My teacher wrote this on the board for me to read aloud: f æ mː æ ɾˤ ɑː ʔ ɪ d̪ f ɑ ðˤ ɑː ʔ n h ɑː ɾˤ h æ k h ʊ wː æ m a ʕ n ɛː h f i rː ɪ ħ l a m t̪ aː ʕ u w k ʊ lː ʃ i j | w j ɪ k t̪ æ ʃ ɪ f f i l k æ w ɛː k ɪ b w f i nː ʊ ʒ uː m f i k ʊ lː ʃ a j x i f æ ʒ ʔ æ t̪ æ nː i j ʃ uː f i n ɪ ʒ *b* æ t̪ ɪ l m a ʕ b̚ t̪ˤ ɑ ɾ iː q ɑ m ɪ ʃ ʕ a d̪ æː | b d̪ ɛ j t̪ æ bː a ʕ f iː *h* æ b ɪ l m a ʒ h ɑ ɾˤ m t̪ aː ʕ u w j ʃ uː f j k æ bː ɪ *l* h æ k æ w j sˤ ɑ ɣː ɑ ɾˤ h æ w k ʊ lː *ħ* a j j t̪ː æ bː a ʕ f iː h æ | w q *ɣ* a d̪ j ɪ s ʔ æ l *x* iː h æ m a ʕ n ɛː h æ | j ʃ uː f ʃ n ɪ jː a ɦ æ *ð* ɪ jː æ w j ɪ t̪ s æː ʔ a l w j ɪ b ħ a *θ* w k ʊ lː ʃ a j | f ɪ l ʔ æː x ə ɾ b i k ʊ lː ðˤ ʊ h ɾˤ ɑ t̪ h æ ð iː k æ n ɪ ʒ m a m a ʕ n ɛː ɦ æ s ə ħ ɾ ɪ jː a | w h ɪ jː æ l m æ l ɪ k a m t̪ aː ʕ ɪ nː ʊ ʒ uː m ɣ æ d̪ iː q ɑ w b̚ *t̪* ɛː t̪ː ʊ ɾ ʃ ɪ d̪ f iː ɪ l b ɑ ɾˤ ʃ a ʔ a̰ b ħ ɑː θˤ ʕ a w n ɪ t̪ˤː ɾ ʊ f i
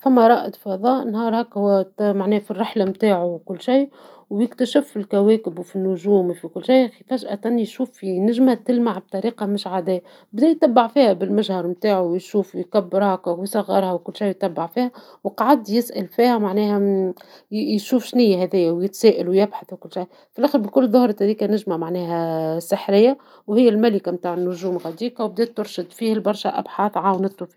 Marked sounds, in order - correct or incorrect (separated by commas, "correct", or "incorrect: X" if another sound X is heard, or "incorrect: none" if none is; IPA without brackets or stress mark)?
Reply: incorrect: m, correct, incorrect: ɾ, incorrect: ʃ, incorrect: ʕ, incorrect: f, correct, correct, incorrect: d̪